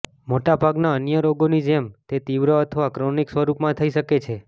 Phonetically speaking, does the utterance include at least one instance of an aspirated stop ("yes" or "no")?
yes